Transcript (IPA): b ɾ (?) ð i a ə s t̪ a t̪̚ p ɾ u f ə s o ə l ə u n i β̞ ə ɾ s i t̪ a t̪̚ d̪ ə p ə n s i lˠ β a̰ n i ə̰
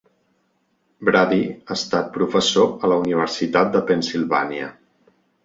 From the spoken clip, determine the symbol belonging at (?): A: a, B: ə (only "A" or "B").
A